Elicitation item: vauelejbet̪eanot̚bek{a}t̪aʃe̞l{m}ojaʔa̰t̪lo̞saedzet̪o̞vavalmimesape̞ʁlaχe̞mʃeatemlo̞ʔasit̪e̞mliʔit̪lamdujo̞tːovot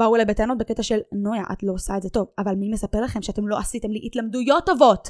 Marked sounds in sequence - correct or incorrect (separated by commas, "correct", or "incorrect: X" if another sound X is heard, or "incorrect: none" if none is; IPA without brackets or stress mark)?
incorrect: e, incorrect: n